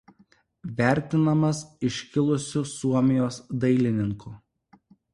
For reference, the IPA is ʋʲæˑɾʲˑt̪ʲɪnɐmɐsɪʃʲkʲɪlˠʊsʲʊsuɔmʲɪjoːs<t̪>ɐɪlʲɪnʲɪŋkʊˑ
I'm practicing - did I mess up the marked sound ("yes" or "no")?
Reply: yes